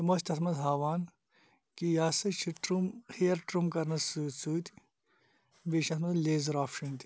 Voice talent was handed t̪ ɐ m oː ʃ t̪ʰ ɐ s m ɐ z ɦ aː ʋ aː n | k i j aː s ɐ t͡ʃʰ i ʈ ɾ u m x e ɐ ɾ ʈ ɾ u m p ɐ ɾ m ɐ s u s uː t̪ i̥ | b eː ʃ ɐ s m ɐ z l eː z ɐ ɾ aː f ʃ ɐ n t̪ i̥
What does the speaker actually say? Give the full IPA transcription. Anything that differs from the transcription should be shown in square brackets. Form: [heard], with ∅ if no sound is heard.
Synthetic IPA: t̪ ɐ m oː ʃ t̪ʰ ɐ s m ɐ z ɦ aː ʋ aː n | k i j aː s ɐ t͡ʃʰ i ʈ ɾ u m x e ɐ ɾ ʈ ɾ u m [k] ɐ ɾ [n] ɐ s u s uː t̪ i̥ | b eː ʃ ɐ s m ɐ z l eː z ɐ ɾ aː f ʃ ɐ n t̪ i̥